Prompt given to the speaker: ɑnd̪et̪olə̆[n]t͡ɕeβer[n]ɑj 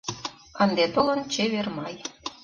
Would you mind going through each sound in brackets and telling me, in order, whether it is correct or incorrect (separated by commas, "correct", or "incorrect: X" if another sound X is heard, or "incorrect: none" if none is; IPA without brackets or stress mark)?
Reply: correct, incorrect: m